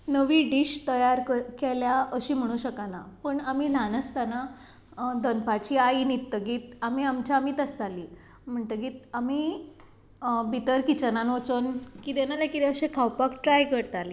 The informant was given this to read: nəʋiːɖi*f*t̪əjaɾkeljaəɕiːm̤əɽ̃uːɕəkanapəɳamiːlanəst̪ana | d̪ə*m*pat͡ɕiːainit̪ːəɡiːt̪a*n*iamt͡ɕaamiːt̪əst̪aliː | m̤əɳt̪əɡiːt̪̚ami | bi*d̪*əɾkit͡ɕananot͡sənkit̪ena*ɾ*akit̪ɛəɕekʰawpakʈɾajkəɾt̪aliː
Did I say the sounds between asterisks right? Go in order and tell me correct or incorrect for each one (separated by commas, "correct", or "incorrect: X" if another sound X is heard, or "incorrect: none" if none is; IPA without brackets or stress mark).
incorrect: ɕ, incorrect: n, incorrect: m, incorrect: t̪, incorrect: l